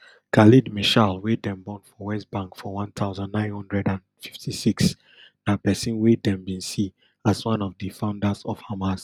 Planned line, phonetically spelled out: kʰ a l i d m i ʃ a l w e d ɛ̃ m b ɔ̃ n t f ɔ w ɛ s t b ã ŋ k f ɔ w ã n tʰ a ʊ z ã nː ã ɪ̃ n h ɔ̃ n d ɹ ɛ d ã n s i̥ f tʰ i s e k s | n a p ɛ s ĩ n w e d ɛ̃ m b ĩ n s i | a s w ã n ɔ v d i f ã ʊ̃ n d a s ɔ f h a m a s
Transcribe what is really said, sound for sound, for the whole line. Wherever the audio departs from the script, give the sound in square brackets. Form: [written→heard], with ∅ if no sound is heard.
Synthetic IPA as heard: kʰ a l i d m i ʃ a l w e d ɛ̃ m b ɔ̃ n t f ɔ w ɛ s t b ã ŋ k f ɔ w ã n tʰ a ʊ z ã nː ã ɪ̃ n h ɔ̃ n d ɹ ɛ d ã n [s→f] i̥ f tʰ i s [e→i] k s | n a p ɛ s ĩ n w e d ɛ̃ m b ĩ n s i | a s w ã n ɔ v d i f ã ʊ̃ n d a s ɔ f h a m a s

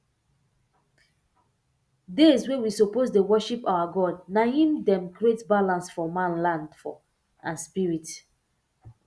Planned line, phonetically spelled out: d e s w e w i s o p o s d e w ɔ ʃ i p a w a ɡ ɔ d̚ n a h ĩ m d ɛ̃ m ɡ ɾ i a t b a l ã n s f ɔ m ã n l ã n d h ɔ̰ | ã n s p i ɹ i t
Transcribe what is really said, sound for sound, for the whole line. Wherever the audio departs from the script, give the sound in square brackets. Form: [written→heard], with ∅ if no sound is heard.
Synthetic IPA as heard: d e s w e w i s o p o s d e w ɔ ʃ i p a w a ɡ ɔ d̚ n a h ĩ m d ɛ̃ m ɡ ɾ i [a→e] t b a l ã n s f ɔ m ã n l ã n d [h→f] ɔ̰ | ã n s p i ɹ i t

